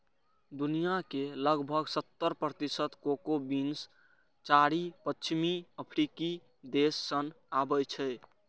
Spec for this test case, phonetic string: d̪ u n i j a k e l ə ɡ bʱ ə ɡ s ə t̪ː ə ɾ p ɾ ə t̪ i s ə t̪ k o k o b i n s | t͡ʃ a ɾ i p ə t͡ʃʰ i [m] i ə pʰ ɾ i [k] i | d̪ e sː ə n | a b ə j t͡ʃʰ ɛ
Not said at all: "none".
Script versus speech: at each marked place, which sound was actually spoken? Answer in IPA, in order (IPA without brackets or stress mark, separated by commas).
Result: m, k